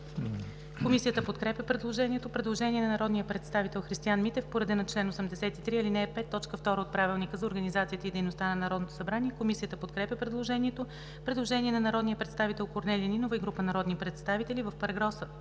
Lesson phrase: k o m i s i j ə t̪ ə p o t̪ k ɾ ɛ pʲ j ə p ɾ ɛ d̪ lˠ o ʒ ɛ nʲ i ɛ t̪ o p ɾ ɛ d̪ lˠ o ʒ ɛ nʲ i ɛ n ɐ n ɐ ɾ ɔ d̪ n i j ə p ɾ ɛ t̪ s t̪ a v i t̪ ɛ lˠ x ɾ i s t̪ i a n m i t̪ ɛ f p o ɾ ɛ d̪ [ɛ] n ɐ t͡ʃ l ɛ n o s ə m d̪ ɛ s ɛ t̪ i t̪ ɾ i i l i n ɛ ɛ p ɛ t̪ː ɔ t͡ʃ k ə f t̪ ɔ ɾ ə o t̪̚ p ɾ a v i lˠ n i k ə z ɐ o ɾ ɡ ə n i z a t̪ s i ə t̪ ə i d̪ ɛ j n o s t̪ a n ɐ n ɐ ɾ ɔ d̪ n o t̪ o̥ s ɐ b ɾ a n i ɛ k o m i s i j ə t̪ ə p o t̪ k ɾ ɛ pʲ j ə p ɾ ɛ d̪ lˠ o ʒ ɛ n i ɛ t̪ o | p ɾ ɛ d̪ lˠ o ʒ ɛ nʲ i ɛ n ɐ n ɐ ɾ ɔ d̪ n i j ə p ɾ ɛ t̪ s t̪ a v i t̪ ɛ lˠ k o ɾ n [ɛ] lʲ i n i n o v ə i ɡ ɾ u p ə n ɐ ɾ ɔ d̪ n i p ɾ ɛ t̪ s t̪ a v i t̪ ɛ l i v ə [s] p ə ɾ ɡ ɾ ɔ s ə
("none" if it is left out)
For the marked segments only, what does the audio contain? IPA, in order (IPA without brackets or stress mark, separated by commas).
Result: ɛ, ɛ, f